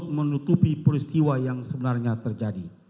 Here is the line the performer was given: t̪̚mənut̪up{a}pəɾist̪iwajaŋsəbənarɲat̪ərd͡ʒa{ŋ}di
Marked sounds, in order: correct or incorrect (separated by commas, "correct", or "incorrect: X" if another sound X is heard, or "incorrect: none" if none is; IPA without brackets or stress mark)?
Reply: incorrect: i, incorrect: none